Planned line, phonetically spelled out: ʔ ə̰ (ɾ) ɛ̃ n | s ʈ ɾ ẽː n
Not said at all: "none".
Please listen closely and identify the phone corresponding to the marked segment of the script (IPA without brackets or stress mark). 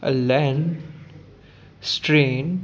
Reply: l